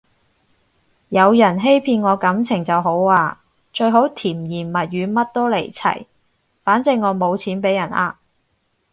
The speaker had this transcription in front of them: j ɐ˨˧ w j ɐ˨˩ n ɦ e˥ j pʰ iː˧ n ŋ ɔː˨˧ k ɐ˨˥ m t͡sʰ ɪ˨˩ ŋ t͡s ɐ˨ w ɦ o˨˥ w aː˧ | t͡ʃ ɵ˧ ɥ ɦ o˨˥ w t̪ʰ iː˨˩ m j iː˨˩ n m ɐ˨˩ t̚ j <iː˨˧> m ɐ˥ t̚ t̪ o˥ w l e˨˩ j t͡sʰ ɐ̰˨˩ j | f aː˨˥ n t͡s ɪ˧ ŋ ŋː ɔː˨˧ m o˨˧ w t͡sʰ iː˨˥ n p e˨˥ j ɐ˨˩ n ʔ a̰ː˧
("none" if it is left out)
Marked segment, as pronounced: yː˨˧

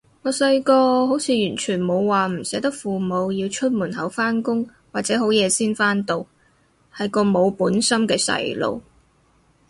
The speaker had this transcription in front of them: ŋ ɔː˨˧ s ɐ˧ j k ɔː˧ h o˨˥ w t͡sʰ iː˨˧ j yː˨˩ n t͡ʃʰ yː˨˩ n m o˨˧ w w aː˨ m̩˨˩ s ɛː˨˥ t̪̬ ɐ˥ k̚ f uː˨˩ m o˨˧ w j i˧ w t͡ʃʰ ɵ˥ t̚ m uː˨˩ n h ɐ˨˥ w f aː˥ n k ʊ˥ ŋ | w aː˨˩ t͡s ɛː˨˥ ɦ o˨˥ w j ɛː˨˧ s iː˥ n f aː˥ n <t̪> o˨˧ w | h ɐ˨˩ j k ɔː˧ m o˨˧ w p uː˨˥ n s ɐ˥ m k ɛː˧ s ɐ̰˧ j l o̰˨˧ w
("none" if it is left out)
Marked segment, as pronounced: t̪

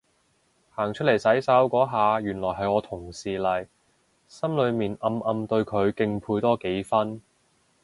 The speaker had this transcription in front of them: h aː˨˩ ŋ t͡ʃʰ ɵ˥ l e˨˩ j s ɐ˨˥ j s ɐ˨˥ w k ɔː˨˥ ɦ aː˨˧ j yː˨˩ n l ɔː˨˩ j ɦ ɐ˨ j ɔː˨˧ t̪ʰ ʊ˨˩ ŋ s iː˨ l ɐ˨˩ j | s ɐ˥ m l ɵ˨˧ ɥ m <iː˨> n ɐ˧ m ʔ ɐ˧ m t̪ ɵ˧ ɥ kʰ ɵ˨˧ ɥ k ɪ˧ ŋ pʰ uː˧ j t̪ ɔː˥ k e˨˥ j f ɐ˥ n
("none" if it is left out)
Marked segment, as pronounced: iː˨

